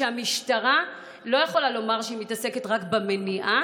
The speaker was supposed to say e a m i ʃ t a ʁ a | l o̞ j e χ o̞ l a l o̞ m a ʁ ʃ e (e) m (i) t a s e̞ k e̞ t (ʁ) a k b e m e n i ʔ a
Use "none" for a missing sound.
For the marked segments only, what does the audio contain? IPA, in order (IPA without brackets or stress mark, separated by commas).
i, i, ʁ